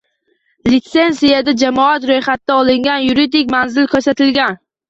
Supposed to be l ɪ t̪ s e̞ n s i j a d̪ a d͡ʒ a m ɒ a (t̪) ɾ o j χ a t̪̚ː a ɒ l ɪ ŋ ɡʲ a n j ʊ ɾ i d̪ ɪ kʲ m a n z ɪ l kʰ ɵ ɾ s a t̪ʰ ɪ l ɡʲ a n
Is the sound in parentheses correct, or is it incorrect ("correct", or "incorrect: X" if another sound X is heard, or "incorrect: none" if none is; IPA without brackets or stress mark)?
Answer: correct